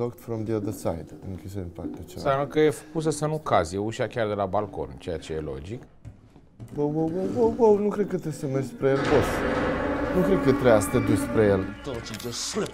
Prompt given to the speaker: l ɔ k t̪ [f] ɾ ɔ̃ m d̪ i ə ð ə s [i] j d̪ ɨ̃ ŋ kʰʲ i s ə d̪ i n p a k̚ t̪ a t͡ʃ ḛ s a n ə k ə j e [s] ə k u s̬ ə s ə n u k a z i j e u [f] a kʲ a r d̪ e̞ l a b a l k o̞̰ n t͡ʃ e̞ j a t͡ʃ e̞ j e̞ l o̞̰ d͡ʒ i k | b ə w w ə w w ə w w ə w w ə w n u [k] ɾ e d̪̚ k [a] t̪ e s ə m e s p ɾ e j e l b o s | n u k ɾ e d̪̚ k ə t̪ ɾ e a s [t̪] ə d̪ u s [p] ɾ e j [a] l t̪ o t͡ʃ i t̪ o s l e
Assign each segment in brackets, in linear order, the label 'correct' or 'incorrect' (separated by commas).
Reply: correct, incorrect, incorrect, incorrect, correct, incorrect, correct, correct, incorrect